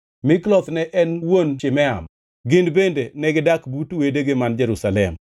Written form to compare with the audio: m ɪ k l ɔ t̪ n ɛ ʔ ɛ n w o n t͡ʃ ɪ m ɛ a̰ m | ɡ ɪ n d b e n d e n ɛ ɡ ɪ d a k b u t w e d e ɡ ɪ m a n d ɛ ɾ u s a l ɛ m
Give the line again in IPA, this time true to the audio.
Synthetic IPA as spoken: m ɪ k l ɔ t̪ n ɛ ʔ ɛ n w o n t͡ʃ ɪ m ɛ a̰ m | ɡ ɪ n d b e n d e n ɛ ɡ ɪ d a k b u t w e d e ɡ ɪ m a n d͡ʒ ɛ ɾ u s a l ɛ m